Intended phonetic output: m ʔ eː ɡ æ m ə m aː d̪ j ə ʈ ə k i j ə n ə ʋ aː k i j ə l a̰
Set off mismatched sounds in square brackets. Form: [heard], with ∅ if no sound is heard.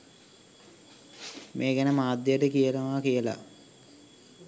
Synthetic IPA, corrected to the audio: m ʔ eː ɡ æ [n] ə m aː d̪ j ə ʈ ə k i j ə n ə ʋ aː k i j ə l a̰